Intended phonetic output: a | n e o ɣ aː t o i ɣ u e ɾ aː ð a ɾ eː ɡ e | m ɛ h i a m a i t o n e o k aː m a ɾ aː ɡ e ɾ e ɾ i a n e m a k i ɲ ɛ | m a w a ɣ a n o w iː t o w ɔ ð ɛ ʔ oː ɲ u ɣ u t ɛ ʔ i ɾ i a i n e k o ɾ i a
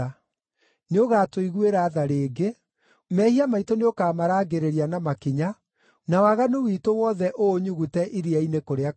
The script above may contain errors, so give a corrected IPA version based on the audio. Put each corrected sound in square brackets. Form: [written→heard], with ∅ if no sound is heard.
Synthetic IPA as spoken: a | n e o ɣ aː t o i ɣ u e ɾ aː ð a ɾ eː ɡ e | m ɛ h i a m a i t o n e o k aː m a ɾ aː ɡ e ɾ e ɾ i a n [e→a] m a k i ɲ [ɛ→a] | [m→n] a w a ɣ a n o w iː t o w ɔ ð ɛ ʔ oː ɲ u ɣ u t ɛ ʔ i ɾ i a i n e k o ɾ [i→e] a